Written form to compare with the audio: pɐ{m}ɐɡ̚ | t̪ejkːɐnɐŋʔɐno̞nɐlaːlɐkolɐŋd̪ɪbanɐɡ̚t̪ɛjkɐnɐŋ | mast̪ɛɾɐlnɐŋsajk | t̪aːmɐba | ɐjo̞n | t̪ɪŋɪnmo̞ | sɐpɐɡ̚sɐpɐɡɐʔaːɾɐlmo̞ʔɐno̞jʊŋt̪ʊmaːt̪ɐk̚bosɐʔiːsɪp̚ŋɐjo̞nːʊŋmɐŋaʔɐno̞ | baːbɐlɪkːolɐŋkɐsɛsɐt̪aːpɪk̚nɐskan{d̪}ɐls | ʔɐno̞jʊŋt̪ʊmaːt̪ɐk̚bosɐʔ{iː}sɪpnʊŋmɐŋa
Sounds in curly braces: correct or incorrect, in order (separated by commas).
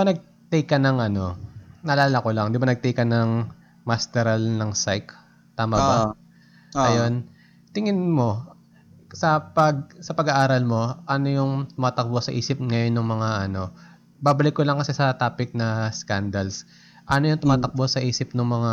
incorrect, correct, correct